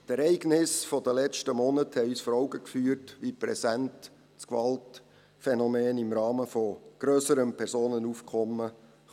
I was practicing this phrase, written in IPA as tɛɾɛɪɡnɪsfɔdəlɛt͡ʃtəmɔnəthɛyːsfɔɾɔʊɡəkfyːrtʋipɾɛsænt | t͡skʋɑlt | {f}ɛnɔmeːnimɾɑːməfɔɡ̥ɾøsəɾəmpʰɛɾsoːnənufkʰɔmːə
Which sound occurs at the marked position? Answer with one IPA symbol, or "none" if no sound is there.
f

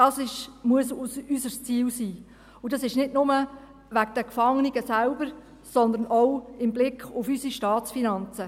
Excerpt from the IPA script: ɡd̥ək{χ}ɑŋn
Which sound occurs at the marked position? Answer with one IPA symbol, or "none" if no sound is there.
f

